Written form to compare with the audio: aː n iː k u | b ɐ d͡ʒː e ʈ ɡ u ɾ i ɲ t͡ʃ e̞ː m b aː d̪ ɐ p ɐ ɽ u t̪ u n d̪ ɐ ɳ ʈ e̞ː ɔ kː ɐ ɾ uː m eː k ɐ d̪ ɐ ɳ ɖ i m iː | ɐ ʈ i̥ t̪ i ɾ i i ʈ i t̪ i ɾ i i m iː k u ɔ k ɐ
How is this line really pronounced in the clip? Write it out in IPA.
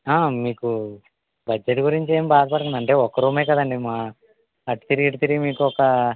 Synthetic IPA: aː m iː k u | b ɐ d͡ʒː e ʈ ɡ u ɾ i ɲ t͡ʃ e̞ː m b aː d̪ ɐ p ɐ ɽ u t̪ u n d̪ ɐ ɳ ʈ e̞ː ɔ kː ɐ ɾ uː m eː k ɐ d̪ ɐ ɳ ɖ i m aː | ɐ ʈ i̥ t̪ i ɾ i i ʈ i t̪ i ɾ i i m iː k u ɔ k ɐ